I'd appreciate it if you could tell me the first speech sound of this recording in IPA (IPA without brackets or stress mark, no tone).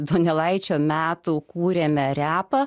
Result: d̪